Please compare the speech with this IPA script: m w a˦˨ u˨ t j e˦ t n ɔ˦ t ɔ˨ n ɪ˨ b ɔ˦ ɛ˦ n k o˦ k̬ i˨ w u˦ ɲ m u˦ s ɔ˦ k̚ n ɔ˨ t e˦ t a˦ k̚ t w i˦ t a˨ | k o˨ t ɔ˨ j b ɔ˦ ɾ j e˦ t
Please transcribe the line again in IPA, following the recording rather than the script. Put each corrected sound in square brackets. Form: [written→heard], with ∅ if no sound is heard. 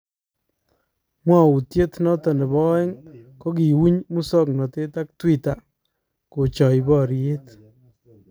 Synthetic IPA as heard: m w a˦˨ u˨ t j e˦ t n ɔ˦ t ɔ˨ n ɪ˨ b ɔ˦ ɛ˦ [n→ŋ] k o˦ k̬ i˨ w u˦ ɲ m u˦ s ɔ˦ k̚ n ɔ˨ t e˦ t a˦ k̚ t w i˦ t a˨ | k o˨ [t→t͡ʃ] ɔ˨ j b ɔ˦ ɾ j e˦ t